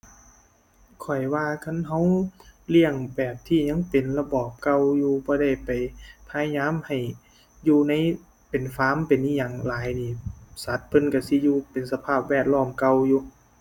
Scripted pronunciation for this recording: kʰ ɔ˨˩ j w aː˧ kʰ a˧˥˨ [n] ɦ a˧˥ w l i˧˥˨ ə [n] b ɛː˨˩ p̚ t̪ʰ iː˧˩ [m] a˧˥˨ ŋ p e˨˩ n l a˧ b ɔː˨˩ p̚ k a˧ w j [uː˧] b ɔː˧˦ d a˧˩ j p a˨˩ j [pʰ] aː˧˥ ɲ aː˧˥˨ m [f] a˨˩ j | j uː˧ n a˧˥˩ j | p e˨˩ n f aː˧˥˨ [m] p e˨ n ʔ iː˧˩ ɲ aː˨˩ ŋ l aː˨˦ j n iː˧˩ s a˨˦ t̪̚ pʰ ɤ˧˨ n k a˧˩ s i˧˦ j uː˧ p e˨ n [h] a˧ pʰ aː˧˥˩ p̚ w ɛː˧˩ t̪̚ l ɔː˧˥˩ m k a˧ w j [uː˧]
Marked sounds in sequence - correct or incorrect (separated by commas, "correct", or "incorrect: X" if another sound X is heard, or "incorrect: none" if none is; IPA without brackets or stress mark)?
correct, incorrect: ŋ, incorrect: ɲ, correct, correct, incorrect: h, correct, incorrect: s, correct